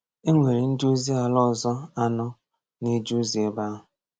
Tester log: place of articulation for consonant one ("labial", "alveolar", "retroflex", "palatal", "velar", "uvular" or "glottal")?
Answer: velar